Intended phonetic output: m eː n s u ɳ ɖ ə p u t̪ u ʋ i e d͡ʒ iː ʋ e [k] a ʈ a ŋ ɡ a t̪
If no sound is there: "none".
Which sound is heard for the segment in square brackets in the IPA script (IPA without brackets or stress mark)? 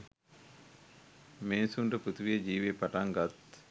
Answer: p